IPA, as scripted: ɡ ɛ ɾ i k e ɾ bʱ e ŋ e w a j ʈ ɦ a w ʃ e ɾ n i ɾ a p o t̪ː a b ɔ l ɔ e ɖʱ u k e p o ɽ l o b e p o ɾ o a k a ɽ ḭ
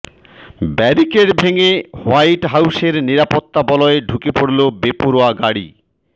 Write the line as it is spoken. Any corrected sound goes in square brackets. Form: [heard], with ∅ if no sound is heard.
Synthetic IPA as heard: [b] ɛ ɾ i k e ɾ bʱ e ŋ e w a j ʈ ɦ a w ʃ e ɾ n i ɾ a p o t̪ː a b ɔ l ɔ e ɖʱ u k e p o ɽ l o b e p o ɾ o a [ɡ] a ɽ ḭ